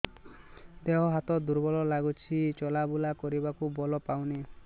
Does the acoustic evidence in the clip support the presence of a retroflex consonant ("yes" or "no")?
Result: no